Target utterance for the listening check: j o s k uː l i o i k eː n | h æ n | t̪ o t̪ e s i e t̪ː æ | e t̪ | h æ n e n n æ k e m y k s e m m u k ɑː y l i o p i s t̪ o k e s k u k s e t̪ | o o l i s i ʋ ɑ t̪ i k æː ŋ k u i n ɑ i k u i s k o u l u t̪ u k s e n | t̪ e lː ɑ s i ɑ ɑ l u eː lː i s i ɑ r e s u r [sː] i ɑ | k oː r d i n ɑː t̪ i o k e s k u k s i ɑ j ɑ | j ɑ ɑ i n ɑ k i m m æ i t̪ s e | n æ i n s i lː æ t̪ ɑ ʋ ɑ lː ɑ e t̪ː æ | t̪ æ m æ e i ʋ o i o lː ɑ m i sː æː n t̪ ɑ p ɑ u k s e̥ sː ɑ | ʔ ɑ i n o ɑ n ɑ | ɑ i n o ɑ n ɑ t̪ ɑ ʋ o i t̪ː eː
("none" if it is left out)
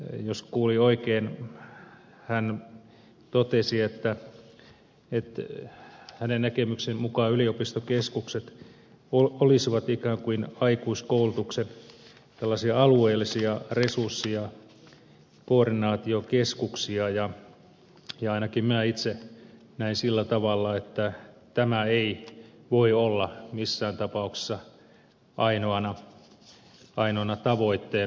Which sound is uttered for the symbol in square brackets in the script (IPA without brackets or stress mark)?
sː